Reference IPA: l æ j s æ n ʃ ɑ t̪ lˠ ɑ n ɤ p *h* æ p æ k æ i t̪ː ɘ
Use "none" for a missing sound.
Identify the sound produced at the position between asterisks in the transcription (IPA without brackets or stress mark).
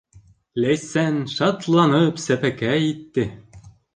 s